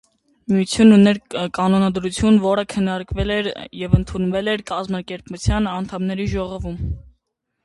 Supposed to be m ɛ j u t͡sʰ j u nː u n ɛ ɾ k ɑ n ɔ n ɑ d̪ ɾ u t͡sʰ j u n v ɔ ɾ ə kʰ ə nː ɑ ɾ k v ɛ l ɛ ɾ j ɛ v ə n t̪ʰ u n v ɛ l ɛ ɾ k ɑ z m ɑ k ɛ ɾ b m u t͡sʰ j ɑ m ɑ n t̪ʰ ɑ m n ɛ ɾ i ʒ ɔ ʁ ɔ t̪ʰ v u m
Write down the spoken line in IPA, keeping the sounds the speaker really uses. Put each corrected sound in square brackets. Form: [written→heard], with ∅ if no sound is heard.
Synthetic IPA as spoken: m [ɛ→i] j u t͡sʰ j u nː u n ɛ ɾ k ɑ n ɔ n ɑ d̪ ɾ u t͡sʰ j u n v ɔ ɾ ə kʰ ə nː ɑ ɾ k v ɛ l ɛ ɾ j ɛ v ə n t̪ʰ u n v ɛ l ɛ ɾ k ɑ z m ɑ k ɛ ɾ [b→p] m u t͡sʰ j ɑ [m→n] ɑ n t̪ʰ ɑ m n ɛ ɾ i ʒ ɔ ʁ ɔ [t̪ʰ→∅] v u m